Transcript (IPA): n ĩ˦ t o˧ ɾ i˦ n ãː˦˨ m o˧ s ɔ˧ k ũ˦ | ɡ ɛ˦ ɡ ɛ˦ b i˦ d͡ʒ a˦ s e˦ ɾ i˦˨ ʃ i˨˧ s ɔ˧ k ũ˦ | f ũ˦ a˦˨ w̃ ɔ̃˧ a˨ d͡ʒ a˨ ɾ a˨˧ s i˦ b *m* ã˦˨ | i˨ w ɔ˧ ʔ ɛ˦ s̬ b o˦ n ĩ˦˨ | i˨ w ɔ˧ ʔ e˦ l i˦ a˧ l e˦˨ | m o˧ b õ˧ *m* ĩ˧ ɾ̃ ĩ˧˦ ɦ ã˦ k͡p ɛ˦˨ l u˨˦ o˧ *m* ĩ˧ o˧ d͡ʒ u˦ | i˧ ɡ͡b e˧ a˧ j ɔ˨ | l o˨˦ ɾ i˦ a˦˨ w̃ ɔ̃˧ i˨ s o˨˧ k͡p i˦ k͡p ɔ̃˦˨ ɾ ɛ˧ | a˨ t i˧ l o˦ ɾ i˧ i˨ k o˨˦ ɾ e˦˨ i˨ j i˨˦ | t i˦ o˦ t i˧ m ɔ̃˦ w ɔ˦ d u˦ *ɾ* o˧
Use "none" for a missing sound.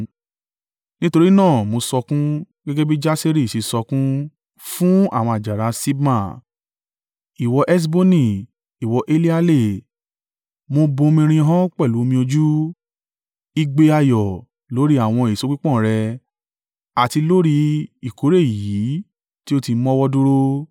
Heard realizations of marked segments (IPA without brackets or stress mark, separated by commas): m, m, m, ɾ